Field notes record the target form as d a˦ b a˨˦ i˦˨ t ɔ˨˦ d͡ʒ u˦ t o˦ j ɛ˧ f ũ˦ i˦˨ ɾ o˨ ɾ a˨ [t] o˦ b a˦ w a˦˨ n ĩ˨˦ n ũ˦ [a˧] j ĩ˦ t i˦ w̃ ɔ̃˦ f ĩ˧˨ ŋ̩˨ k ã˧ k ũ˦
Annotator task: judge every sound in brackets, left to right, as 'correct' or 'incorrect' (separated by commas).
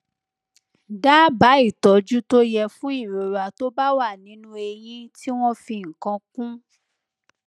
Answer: correct, incorrect